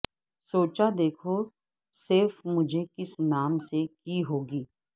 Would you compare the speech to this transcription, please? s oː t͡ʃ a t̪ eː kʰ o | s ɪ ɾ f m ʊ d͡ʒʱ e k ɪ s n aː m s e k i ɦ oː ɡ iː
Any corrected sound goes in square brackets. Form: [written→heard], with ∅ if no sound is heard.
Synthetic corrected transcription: s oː t͡ʃ a [t̪→d̪] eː kʰ o | s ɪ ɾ f m ʊ d͡ʒʱ e k ɪ s n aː m s e k i ɦ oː ɡ iː